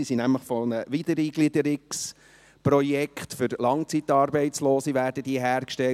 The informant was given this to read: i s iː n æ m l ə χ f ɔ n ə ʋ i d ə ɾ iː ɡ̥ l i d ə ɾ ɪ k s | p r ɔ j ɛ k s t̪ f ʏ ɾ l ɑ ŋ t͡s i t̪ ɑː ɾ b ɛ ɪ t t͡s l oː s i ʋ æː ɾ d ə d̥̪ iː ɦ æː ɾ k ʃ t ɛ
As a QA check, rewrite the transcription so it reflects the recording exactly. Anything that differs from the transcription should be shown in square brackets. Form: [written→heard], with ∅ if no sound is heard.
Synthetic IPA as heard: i s [iː→i] n æ m l ə χ f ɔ n ə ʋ i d ə ɾ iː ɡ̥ l i d ə ɾ ɪ k s | p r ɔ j ɛ k [s→χ] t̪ f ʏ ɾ l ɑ ŋ t͡s i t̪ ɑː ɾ b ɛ ɪ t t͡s l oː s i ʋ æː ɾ d ə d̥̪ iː ɦ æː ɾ k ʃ t ɛ